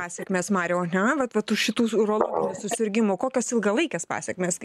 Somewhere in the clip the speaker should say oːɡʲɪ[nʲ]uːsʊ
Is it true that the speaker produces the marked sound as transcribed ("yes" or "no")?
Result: yes